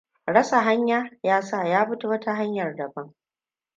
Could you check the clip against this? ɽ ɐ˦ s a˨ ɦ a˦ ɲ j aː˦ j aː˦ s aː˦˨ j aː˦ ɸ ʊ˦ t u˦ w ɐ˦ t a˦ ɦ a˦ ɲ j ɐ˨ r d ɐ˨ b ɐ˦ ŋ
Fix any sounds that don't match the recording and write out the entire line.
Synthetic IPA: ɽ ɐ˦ s a˨ ɦ a˦ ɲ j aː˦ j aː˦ s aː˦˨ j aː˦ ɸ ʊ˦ t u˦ w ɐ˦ t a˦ ɦ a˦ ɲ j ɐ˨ r d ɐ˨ b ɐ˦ ŋ